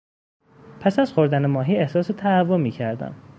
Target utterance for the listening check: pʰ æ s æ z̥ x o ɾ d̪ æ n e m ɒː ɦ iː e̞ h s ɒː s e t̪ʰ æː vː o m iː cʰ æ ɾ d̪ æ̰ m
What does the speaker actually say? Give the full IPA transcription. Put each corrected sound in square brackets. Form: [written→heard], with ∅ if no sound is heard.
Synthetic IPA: pʰ æ s æ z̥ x o ɾ d̪ æ n e m ɒː ɦ iː e̞ h s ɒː s e t̪ʰ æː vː o m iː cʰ æ ɾ d̪ æ̰ m